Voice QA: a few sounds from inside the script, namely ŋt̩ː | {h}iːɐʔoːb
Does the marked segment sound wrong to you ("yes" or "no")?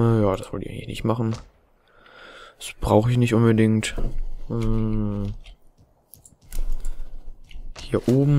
no